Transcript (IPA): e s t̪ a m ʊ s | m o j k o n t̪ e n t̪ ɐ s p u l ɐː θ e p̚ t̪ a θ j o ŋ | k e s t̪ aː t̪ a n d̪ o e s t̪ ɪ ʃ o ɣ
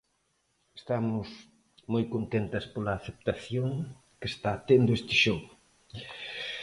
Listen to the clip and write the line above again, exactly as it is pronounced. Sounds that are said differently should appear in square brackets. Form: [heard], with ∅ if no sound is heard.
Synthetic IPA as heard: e s t̪ a m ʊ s | m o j k o n t̪ e n t̪ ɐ s p [o] l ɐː θ e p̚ t̪ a θ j o ŋ | k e s t̪ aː t̪ [e] n d̪ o e s t̪ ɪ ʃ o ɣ